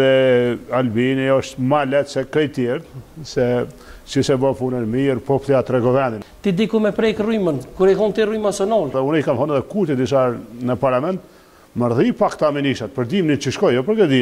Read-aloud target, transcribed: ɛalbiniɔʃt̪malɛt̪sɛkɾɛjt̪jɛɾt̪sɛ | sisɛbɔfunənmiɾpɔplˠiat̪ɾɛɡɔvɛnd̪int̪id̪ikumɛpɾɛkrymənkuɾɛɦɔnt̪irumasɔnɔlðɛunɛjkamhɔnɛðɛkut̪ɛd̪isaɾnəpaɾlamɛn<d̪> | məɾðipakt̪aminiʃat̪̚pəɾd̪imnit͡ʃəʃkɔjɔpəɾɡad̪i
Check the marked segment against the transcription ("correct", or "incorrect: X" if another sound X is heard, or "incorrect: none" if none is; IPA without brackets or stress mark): incorrect: t̪